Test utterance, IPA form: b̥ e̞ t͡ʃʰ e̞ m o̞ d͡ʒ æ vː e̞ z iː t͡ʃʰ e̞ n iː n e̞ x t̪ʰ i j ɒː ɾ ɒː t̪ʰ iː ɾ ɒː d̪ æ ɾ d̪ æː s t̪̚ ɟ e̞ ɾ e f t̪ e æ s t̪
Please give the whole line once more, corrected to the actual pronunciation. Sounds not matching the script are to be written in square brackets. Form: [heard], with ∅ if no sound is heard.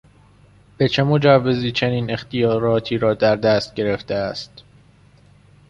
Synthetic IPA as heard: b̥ e̞ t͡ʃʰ e̞ m o̞ d͡ʒ æ vː e̞ z iː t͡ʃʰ e̞ n iː n e̞ x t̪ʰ i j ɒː ɾ ɒː t̪ʰ iː ɾ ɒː d̪ æ ɾ d̪ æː s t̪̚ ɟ e̞ ɾ e f t̪ e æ s t̪